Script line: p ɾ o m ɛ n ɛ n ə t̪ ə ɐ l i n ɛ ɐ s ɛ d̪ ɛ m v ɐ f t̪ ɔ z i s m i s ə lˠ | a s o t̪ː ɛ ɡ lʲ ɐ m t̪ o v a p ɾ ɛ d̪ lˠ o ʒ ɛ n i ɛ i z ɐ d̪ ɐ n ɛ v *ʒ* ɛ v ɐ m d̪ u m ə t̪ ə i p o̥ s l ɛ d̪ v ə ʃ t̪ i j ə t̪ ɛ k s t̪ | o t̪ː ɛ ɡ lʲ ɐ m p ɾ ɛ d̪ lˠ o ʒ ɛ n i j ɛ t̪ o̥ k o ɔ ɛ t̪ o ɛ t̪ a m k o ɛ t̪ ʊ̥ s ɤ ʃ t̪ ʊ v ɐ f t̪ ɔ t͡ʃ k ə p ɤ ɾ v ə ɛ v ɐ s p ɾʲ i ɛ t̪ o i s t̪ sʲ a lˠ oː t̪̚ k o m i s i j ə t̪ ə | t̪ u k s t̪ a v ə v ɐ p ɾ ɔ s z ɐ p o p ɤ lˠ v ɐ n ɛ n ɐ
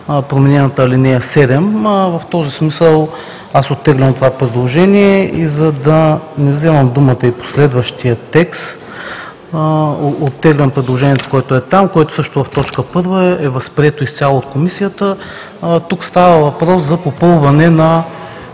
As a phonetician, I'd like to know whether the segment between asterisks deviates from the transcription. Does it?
yes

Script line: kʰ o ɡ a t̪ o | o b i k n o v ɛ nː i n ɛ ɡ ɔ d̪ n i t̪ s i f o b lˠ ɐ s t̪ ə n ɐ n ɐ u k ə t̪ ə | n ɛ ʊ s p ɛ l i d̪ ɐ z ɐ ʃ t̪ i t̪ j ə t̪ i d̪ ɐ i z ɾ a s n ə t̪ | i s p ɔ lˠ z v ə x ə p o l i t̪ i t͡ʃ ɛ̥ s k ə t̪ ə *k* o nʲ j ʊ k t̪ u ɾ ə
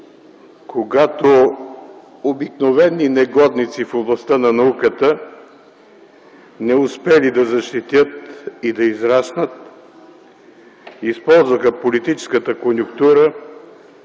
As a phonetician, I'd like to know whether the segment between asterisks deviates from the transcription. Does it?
no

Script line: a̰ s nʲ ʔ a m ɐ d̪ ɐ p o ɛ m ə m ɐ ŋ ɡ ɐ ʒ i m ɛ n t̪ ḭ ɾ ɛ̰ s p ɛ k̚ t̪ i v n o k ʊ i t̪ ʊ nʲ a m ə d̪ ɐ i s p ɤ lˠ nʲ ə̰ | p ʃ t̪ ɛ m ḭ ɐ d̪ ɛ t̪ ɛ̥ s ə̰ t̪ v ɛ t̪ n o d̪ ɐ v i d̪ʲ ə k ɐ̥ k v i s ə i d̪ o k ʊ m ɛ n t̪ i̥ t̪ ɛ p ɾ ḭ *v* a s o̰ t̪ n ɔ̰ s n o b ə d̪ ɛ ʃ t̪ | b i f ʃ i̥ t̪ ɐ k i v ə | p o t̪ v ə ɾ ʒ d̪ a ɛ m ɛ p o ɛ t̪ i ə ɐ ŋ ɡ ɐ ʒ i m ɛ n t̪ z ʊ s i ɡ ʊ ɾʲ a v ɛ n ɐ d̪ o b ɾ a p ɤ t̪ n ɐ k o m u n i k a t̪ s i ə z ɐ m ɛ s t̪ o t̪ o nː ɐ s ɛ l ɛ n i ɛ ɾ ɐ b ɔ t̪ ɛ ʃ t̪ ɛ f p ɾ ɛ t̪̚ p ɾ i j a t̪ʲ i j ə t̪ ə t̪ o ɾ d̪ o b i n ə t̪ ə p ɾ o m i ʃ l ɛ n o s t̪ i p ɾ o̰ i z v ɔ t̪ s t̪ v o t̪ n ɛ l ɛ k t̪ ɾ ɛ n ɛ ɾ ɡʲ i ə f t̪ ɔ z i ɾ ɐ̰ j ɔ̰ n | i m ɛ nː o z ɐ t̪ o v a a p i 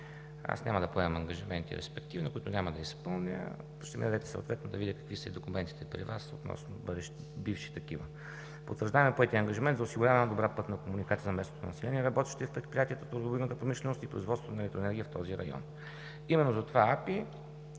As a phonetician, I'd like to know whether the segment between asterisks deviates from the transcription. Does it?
no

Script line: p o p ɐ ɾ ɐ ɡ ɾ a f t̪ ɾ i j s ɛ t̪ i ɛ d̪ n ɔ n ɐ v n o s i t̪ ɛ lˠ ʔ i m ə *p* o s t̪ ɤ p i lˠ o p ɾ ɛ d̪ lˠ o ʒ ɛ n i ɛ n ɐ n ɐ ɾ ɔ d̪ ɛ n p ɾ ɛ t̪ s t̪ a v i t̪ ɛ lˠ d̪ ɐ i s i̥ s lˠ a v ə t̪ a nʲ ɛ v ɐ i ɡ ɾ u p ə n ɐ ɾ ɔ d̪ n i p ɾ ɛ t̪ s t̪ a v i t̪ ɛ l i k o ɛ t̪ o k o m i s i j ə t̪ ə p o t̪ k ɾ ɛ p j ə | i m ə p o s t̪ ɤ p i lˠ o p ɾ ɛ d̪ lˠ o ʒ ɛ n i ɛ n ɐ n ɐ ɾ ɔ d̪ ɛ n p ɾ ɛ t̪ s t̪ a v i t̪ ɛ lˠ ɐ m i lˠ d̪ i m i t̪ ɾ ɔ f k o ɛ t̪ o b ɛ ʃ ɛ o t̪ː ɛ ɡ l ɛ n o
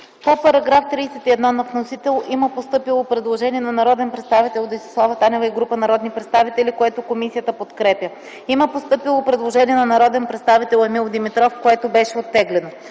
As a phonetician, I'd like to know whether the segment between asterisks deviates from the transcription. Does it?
no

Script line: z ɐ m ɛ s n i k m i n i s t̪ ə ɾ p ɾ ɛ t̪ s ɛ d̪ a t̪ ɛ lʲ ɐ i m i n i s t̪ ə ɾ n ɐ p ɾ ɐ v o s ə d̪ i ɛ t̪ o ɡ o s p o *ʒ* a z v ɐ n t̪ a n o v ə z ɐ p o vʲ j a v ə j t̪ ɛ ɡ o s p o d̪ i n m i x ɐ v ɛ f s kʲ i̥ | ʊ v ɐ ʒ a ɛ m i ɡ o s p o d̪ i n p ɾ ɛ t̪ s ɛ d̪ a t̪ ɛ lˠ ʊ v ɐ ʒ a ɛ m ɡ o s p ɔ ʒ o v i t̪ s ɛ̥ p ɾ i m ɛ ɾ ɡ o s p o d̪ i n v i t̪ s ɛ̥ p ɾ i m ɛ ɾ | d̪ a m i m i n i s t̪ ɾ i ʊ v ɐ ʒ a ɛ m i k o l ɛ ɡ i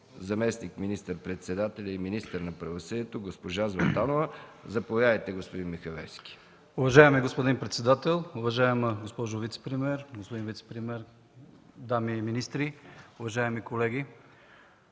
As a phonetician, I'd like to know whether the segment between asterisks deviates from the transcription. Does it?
no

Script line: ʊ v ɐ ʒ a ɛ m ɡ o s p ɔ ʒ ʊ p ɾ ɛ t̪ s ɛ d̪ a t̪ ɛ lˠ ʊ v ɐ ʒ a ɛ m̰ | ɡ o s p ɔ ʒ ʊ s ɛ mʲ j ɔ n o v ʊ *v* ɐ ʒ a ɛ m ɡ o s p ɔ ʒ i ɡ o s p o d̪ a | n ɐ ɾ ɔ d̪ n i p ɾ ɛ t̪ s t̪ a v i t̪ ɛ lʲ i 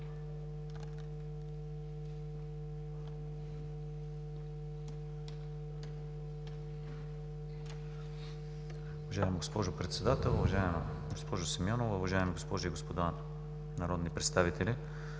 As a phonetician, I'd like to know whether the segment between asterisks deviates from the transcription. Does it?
no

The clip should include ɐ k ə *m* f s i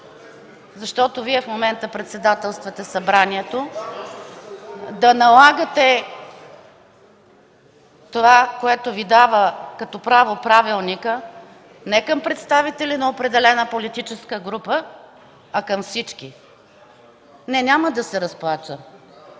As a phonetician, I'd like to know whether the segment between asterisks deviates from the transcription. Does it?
no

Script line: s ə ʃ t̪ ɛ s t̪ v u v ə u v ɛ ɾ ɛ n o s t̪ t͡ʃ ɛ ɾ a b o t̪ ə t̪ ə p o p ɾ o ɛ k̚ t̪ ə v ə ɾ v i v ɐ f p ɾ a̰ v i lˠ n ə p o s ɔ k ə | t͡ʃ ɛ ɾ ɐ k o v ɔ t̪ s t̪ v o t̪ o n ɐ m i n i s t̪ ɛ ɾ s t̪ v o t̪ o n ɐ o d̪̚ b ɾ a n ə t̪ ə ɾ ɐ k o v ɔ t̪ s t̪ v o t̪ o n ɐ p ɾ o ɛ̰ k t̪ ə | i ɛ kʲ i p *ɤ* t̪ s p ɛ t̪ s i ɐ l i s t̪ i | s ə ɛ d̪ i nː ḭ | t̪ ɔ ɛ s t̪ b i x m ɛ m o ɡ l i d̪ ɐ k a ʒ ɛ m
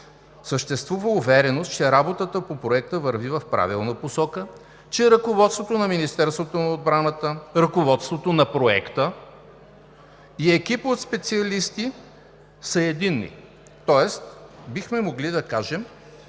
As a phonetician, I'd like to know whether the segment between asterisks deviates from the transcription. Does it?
yes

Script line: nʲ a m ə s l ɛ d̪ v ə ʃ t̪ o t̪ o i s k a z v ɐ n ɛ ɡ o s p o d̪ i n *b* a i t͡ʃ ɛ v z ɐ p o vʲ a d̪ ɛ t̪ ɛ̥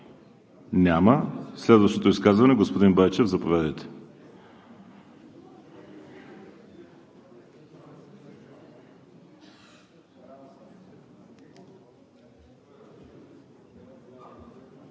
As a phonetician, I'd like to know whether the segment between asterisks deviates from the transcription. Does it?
no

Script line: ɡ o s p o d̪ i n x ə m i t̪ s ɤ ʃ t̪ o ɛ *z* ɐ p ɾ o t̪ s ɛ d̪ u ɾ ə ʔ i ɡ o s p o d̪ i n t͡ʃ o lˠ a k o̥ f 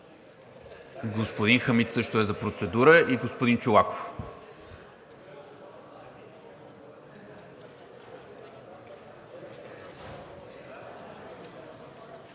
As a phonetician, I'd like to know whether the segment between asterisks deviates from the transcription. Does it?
no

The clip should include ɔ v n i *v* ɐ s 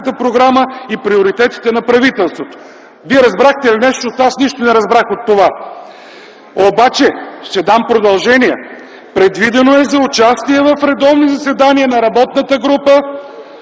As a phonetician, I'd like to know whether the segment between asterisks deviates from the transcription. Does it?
yes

